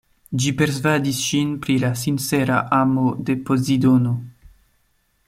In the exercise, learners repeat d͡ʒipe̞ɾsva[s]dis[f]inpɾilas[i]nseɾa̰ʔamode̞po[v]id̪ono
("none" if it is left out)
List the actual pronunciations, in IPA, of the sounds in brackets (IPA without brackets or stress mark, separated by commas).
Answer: none, ʃ, i, z